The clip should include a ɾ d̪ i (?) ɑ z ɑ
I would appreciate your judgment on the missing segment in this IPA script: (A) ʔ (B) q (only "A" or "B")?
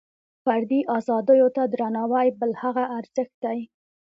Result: A